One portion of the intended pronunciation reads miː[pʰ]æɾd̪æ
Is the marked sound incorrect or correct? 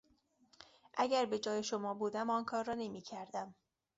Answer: incorrect